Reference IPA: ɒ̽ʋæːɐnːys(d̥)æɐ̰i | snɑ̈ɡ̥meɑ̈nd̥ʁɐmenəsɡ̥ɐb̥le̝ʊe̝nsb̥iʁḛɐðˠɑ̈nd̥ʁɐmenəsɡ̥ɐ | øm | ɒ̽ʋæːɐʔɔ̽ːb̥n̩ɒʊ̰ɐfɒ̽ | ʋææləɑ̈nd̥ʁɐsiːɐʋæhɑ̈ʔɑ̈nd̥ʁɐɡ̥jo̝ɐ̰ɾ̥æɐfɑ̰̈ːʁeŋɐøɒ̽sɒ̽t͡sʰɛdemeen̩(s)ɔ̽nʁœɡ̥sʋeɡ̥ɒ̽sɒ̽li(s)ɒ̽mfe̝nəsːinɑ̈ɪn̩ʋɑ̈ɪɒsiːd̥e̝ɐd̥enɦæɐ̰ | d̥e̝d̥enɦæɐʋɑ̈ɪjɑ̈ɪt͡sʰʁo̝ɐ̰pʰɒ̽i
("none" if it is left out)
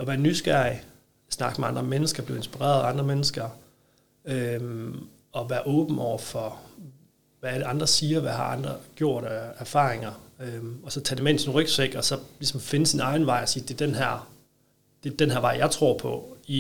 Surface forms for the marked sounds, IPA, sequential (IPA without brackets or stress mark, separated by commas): ɡ̥, s, s